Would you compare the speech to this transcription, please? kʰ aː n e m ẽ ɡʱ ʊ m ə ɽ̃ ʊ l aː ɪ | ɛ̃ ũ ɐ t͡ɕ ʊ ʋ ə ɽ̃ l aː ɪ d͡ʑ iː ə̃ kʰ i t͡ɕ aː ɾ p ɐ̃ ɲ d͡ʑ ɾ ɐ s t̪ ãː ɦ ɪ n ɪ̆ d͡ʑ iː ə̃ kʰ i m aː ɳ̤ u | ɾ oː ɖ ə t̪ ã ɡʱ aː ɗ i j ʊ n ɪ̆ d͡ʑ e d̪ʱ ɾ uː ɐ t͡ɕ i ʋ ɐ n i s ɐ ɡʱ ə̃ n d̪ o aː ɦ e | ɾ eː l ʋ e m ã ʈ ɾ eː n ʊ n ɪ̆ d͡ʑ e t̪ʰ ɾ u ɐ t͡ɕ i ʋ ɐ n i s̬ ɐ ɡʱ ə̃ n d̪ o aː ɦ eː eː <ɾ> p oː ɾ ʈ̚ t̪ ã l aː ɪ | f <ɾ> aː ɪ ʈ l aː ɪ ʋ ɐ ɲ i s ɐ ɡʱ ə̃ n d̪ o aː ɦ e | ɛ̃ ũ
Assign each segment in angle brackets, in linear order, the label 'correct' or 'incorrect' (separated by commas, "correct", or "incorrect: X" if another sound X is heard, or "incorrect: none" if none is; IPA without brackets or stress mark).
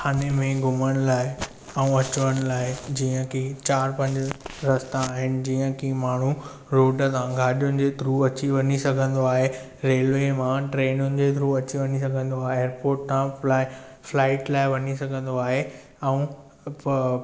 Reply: correct, incorrect: l